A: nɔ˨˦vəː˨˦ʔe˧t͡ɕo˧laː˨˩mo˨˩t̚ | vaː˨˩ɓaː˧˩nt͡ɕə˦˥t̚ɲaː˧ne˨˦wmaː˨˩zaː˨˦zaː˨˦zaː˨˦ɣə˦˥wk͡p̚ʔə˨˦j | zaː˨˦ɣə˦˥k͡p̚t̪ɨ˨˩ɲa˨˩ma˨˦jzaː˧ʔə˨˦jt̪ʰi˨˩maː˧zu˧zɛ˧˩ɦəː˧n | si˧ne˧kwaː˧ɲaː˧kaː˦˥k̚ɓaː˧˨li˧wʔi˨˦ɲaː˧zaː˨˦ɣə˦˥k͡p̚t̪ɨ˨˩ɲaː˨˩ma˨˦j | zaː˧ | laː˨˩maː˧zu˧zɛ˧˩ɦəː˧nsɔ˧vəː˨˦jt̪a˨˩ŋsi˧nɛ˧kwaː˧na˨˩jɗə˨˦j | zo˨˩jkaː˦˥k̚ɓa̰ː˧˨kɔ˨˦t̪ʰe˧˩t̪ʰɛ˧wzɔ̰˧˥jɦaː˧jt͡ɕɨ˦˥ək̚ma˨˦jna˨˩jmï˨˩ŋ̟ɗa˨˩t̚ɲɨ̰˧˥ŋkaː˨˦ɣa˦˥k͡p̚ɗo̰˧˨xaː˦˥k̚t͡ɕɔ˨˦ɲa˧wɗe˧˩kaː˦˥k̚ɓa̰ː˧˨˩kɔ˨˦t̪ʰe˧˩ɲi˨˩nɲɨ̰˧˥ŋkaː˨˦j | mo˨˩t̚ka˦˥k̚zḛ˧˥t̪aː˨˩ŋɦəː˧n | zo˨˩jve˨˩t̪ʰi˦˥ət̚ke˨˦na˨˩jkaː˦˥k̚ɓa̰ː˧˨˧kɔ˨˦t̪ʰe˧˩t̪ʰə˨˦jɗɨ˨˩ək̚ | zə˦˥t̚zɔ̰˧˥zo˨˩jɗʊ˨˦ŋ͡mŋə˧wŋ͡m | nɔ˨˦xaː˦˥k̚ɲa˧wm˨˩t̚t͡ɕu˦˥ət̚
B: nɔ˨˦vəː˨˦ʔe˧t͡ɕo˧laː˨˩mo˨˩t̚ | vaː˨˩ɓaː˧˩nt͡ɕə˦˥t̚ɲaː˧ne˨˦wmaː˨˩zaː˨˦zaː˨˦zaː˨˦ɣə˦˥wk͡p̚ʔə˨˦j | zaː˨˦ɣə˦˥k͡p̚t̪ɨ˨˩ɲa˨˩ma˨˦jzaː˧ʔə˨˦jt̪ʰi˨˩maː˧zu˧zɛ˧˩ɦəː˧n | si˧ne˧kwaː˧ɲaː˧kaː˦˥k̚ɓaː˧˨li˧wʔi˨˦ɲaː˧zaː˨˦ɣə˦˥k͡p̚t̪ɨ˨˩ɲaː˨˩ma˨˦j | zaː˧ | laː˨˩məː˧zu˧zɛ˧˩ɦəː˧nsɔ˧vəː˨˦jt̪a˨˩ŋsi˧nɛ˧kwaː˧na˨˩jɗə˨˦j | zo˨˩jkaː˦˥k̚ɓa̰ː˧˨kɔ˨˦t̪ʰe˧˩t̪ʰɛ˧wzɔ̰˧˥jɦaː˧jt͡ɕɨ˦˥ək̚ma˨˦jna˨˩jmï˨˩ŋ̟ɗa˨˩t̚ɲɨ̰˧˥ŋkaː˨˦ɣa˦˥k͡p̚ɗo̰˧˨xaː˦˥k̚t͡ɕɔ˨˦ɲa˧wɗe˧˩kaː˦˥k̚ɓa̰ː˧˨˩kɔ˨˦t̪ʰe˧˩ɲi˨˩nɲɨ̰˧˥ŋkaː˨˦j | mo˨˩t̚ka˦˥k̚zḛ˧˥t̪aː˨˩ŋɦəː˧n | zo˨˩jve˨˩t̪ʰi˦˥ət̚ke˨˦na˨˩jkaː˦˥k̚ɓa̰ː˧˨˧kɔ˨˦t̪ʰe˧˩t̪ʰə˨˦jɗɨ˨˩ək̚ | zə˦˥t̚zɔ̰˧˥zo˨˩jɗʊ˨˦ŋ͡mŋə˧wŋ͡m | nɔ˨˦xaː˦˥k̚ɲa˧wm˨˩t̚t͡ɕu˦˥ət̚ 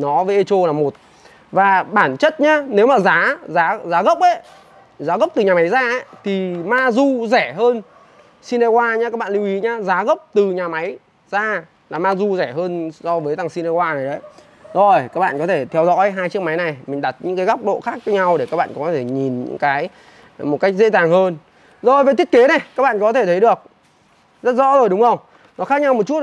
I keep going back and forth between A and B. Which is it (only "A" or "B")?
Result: A